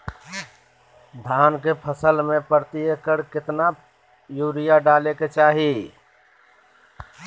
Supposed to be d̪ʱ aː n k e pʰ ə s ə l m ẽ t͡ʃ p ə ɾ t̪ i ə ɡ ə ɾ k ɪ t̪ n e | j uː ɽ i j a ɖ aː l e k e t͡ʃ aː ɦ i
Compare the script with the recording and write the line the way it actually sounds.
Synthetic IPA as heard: d̪ʱ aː n k e pʰ ə s ə l m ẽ p ə ɾ t̪ i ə k ə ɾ k ɪ t̪ n a | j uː ɾ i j a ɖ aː l e k e t͡ʃ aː ɦ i